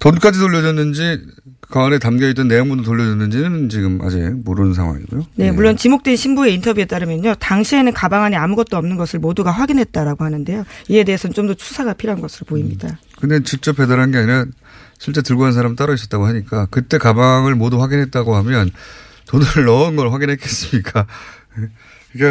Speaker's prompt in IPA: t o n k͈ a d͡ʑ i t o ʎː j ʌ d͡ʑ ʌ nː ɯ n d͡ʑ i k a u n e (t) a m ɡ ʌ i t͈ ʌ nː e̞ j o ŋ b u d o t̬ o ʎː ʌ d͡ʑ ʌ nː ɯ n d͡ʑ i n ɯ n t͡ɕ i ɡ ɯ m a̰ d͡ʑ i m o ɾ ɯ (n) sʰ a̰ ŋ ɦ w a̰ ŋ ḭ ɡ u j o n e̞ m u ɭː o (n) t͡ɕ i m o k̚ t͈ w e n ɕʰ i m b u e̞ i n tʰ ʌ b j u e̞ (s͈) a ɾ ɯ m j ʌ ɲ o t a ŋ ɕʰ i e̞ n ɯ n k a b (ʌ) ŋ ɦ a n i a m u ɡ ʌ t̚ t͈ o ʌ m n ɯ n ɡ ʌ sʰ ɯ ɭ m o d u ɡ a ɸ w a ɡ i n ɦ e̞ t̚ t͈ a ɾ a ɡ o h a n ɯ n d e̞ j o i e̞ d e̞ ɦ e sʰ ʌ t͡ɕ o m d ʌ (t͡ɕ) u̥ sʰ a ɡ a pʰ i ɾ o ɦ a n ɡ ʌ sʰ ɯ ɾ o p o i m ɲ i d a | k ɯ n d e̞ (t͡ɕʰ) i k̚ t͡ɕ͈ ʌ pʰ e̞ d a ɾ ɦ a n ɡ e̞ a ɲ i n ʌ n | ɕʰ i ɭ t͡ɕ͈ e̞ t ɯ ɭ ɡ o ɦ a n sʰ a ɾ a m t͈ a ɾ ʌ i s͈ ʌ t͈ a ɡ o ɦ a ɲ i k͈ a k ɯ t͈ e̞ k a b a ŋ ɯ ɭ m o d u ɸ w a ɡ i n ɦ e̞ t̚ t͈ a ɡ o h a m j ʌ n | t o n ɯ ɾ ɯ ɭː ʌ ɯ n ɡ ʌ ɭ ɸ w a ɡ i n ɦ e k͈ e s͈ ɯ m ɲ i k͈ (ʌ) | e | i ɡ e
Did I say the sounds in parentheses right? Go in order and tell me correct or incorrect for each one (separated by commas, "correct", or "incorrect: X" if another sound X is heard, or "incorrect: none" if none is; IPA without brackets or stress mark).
correct, correct, correct, incorrect: t͈, incorrect: a, incorrect: t͡ɕʰ, incorrect: t͡ɕ, incorrect: a